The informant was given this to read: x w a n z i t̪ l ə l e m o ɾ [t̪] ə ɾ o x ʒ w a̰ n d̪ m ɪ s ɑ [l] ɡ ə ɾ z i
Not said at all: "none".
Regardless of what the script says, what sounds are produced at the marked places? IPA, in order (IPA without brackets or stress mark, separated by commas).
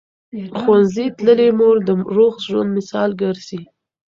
d̪, l